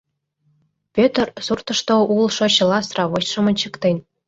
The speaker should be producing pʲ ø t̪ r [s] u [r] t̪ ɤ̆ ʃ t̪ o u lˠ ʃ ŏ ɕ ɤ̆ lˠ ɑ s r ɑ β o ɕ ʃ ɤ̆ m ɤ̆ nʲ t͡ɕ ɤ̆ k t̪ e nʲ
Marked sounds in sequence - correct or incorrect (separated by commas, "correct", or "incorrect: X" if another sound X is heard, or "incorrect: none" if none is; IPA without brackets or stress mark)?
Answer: correct, correct